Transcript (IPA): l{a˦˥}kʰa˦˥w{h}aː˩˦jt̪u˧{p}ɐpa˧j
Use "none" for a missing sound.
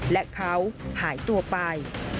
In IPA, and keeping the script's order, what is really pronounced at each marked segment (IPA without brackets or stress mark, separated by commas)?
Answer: ɛ˦˥, h, none